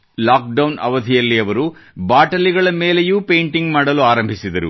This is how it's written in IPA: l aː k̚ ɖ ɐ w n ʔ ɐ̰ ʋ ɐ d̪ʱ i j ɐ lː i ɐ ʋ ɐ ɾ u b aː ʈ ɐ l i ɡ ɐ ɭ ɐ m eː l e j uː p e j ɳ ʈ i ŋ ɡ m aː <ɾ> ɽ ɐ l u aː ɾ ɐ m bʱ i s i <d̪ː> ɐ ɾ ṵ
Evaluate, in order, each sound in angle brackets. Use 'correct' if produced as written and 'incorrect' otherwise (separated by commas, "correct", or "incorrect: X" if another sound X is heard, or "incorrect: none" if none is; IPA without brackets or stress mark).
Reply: incorrect: none, incorrect: d̪